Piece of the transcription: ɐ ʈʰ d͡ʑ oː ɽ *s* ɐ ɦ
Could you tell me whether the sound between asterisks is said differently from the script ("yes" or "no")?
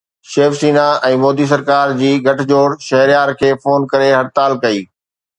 yes